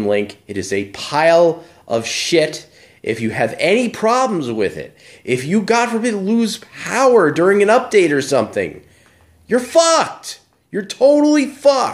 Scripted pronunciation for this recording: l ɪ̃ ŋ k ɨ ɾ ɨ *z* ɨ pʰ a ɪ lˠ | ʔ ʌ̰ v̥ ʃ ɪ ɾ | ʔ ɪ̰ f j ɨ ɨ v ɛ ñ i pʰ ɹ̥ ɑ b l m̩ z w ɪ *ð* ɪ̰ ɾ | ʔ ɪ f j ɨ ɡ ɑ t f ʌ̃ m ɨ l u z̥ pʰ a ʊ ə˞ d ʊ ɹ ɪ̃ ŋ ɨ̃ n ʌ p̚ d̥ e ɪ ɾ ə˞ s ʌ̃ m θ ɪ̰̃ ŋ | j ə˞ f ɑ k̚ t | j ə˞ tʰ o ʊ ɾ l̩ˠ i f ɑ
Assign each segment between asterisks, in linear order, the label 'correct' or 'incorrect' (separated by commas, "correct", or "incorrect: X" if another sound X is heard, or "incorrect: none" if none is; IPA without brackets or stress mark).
correct, correct